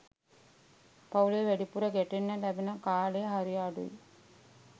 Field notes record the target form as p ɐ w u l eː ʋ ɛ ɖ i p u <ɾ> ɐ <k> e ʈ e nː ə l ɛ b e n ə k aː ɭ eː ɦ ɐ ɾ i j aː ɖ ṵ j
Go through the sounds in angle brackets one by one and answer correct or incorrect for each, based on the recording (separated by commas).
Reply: correct, incorrect